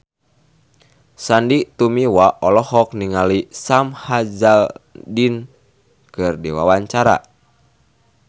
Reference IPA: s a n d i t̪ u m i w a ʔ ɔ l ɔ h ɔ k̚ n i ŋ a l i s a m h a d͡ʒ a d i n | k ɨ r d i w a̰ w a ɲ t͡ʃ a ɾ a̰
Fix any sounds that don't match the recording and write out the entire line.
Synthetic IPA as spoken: s a n d i t̪ u m i w a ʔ ɔ l ɔ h ɔ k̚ n i ŋ a l i s a m h a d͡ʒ a d i n | k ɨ r d i w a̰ w a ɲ t͡ʃ a ɾ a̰

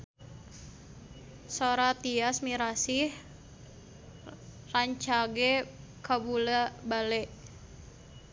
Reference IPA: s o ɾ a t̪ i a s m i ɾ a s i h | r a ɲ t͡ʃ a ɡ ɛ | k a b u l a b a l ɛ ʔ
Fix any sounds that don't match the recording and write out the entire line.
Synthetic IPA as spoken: s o ɾ a t̪ i a s m i ɾ a s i h | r a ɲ t͡ʃ a ɡ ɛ | k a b u l a b a l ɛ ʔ

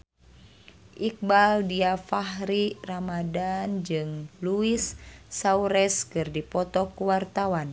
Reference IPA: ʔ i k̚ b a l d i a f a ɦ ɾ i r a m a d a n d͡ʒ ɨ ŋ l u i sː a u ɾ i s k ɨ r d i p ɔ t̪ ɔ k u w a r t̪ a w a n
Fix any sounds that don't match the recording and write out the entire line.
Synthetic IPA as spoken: ʔ i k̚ b a l d i a f a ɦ ɾ i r a m a d a n d͡ʒ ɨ ŋ l u i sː a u ɾ ɛ s k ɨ r d i p ɔ t̪ ɔ k u w a r t̪ a w a n

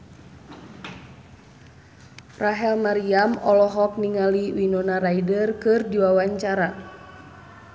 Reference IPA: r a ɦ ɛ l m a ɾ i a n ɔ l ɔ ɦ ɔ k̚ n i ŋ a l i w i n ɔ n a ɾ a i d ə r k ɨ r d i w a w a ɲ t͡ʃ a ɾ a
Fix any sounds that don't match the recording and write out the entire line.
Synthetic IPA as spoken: r a ɦ ɛ l m a ɾ i a m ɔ l ɔ ɦ ɔ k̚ n i ŋ a l i w i n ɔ n a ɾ a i d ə r k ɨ r d i w a w a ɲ t͡ʃ a ɾ a

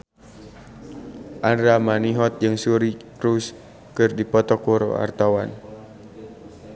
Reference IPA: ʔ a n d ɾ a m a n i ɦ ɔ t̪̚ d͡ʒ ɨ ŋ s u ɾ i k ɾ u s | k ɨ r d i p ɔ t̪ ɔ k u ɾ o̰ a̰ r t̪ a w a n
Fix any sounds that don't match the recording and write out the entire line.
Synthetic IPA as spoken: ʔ a n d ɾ a m a n i ɦ ɔ t̪̚ d͡ʒ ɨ ŋ s u ɾ i k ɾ u s | k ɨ r d i p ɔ t̪ ɔ k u ɾ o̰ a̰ r t̪ a w a n

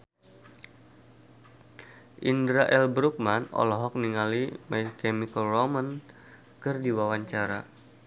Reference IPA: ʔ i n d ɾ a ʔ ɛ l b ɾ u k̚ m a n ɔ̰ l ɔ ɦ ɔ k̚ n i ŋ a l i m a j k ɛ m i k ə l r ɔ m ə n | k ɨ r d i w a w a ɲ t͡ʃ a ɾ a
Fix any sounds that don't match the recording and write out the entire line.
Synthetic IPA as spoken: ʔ i n d ɾ a ʔ ɛ l b ɾ u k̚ m a n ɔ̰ l ɔ ɦ ɔ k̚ n i ŋ a l i m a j k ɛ m i k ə l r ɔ m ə n | k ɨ r d i w a w a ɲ t͡ʃ a ɾ a

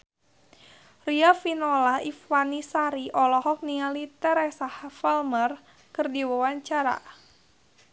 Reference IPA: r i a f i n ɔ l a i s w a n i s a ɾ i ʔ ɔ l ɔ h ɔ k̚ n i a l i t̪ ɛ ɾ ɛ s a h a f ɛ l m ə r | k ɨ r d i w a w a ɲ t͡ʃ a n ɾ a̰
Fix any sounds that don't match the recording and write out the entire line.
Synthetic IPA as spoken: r i a f i n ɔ l a i f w a n i s a ɾ i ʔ ɔ l ɔ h ɔ k̚ n i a l i t̪ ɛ ɾ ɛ s a h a f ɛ l m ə r | k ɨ r d i w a w a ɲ t͡ʃ a ɾ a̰

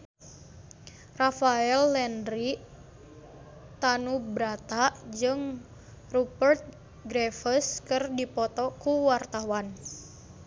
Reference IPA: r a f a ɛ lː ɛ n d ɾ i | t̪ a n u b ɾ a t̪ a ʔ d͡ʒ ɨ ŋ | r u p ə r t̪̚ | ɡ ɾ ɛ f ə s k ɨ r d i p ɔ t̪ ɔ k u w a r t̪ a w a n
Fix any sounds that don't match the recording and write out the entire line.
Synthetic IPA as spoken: r a f a ɛ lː ɛ n d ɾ i | t̪ a n u b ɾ a t̪ a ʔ d͡ʒ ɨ ŋ | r u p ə r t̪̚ | ɡ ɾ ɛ f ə s k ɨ r d i p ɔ t̪ ɔ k u w a r t̪ a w a n

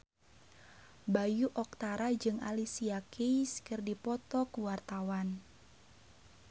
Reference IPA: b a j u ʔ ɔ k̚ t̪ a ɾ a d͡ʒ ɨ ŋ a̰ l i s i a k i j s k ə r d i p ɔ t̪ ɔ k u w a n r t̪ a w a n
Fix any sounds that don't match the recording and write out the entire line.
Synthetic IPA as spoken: b a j u ʔ ɔ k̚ t̪ a ɾ a d͡ʒ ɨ ŋ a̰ l i s i a k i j s k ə r d i p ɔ t̪ ɔ k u w a r t̪ a w a n

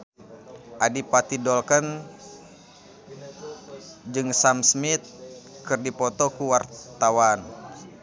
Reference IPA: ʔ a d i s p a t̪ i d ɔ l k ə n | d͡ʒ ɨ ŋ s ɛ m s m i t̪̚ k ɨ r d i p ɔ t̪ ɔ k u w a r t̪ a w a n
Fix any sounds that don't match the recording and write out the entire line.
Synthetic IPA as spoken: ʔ a d i p a t̪ i d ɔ l k ə n | d͡ʒ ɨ ŋ s a m s m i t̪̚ k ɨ r d i p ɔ t̪ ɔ k u w a r t̪ a w a n

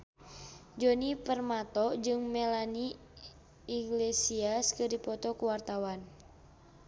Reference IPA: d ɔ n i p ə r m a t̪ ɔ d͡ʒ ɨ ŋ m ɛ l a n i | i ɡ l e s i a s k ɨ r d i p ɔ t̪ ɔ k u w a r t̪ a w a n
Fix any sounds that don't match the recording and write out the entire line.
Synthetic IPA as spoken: d͡ʒ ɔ n i p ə r m a t̪ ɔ d͡ʒ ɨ ŋ m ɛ l a n i | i ɡ l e s i a s k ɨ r d i p ɔ t̪ ɔ k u w a r t̪ a w a n

